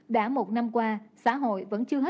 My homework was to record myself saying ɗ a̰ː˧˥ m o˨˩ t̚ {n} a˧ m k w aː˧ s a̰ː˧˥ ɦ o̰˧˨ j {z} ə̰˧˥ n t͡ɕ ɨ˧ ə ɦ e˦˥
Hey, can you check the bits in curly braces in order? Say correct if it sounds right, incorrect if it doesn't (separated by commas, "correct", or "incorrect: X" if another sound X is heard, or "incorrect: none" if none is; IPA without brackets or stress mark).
correct, incorrect: v